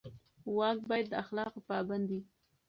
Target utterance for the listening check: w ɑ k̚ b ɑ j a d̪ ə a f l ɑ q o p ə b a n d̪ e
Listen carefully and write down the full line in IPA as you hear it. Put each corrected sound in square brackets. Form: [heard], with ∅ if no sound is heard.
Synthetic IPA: w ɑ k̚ b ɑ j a [d̪ː] ə a [x] l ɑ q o p [ɑ] b a n d̪ [i]